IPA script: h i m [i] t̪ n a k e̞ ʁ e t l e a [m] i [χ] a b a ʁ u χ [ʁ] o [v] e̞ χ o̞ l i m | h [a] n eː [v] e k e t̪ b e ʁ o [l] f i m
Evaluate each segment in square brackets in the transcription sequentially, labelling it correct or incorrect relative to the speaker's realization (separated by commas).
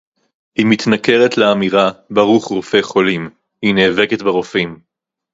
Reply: correct, correct, incorrect, correct, incorrect, incorrect, correct, incorrect